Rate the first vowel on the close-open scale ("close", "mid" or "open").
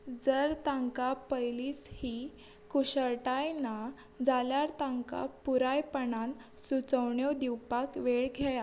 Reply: mid